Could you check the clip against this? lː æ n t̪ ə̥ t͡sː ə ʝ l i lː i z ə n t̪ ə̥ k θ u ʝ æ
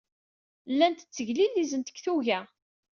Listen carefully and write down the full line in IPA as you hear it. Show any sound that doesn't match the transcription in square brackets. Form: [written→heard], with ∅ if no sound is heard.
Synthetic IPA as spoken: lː æ n t̪ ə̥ t͡sː ə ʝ l i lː i z ə n t̪ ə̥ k θ u ʝ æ